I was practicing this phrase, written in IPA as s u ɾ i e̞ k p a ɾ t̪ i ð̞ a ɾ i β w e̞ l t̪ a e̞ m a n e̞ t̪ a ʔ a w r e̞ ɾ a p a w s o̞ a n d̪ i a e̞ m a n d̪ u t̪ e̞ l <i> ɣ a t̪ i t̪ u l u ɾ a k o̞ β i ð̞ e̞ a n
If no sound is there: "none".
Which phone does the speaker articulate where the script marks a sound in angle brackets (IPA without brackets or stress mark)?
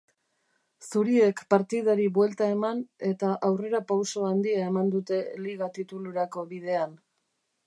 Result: i